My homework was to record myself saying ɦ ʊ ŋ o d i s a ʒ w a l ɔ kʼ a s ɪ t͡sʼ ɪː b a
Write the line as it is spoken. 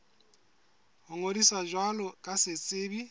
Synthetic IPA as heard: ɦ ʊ ŋ o d i s a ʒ w a l ɔ kʼ a s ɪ t͡sʼ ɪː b i